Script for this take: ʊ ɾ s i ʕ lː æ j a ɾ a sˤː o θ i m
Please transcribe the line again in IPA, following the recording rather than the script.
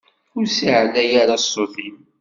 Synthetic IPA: ʊ ɾ s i ʕ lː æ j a ɾ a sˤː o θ i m